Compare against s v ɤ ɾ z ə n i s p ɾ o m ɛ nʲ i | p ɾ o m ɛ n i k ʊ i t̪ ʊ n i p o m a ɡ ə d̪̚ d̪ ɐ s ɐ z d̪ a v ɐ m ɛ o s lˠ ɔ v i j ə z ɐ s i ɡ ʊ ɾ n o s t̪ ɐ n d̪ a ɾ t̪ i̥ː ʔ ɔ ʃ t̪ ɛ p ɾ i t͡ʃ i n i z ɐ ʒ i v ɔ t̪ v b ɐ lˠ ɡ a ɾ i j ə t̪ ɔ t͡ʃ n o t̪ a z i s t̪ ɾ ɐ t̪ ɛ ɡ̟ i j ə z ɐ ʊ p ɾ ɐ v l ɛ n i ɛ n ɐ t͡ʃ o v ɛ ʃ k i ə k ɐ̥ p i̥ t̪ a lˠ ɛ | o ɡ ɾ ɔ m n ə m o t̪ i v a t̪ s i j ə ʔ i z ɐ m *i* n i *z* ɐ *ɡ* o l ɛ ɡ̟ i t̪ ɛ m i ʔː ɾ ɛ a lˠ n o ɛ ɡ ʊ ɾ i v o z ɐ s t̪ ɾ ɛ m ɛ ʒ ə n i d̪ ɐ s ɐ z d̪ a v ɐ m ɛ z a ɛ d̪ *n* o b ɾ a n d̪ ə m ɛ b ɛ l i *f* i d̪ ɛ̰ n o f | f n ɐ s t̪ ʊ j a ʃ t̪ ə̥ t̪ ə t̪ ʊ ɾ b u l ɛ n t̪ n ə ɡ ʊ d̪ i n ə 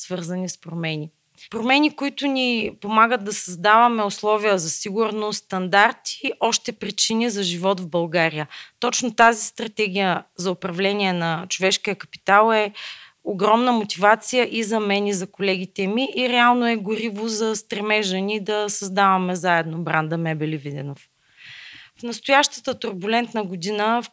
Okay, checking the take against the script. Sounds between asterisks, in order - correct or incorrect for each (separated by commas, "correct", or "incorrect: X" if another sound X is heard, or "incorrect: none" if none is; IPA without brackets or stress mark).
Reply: incorrect: ɛ, correct, incorrect: k, correct, incorrect: v